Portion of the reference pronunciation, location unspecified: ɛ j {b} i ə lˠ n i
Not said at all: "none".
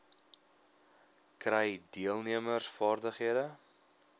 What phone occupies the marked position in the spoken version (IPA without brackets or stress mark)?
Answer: d